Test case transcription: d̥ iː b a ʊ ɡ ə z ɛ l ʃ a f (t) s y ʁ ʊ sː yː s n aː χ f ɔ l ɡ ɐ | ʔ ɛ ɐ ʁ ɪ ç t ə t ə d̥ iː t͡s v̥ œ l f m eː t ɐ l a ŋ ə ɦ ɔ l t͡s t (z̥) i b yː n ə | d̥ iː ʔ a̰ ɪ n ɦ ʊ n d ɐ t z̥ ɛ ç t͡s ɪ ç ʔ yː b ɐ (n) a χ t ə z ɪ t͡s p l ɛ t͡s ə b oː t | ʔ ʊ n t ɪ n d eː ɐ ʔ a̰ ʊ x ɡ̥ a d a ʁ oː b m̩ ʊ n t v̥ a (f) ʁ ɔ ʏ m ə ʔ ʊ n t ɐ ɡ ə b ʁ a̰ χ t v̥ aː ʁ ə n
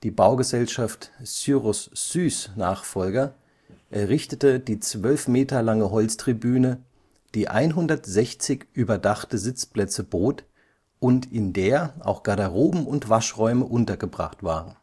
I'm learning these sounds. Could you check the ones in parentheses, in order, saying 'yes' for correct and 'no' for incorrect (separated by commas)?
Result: yes, no, no, no